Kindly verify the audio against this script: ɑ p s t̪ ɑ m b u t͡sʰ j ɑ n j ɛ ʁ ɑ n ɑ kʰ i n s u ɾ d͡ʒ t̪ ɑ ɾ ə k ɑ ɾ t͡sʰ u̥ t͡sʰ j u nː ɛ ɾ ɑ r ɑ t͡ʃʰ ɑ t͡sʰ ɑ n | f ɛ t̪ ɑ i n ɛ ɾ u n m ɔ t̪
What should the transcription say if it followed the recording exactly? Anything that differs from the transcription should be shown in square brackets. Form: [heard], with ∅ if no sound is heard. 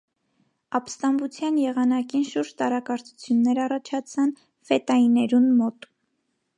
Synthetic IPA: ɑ p s t̪ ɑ m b u t͡sʰ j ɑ n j ɛ ʁ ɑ n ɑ [k] i n [ʃ] u ɾ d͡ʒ t̪ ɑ ɾ [ɑ] k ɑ ɾ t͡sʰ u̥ t͡sʰ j u nː ɛ ɾ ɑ r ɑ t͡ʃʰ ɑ t͡sʰ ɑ n | f ɛ t̪ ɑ i n ɛ ɾ u n m ɔ t̪